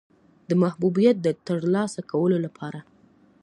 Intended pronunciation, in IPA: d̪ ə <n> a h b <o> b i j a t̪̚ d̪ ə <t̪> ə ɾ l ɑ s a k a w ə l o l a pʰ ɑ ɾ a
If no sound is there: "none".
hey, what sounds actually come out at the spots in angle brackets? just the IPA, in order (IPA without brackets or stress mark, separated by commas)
m, u, t̪